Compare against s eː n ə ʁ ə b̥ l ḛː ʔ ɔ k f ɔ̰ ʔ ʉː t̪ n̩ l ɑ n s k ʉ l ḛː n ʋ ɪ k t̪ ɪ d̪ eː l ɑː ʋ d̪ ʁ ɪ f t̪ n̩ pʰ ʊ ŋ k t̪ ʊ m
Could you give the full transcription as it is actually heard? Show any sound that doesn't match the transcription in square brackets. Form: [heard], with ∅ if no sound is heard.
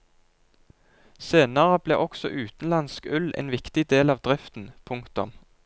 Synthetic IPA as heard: s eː n ə ʁ ə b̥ l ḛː ʔ ɔ k [s] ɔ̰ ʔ ʉː t̪ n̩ l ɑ n s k ʉ l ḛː n ʋ ɪ k t̪ ɪ d̪ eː l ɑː ʋ d̪ ʁ ɪ f t̪ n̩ pʰ ʊ ŋ k t̪ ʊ m